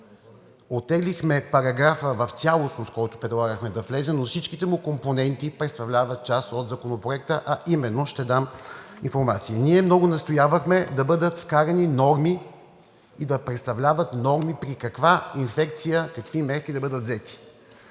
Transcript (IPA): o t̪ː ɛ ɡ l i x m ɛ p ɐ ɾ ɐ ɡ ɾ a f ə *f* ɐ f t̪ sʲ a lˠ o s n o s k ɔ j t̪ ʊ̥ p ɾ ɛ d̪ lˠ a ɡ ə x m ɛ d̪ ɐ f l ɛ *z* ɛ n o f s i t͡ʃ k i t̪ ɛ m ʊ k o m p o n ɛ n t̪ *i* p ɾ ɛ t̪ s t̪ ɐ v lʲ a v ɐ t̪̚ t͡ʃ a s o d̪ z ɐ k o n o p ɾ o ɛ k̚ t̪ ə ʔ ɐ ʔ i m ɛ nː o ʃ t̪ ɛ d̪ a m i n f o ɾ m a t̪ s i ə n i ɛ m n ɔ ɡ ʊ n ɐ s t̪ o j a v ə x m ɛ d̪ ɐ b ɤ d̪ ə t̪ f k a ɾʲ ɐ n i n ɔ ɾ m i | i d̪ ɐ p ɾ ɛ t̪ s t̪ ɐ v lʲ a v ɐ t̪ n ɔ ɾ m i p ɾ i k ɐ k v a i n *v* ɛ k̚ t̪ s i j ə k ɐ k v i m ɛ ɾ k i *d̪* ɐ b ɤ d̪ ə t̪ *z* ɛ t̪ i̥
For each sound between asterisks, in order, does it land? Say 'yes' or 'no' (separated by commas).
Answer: no, yes, yes, no, yes, yes